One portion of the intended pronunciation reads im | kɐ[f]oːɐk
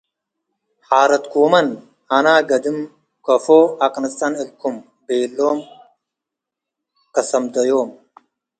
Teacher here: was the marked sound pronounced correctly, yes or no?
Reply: yes